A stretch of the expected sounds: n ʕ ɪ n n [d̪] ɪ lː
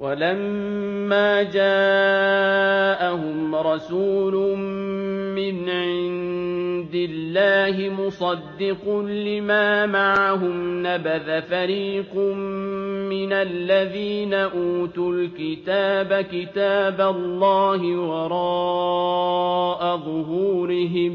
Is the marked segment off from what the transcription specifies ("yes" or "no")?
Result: no